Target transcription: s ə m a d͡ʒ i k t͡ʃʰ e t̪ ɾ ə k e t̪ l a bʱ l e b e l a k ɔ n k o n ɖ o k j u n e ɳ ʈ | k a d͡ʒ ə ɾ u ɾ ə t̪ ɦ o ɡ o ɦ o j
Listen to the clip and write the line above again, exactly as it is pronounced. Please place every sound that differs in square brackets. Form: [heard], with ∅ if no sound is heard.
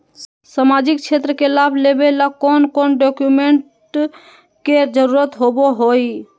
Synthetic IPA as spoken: s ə m a d͡ʒ i k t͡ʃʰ e t̪ ɾ ə k e [∅] l a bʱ l e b e l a k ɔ n k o n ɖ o k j u [m] e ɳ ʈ | k [e] d͡ʒ ə ɾ u ɾ ə t̪ ɦ o [b] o ɦ o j